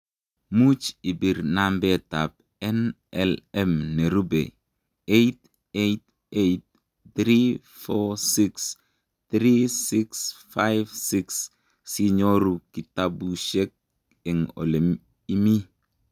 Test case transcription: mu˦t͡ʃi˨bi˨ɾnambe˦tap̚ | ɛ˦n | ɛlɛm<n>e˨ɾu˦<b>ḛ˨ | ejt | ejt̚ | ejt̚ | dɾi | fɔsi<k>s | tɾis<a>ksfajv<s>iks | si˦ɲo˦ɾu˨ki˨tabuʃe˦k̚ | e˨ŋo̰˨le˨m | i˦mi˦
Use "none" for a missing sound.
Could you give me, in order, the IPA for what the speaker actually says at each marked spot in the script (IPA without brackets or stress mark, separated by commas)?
n, b, k, i, s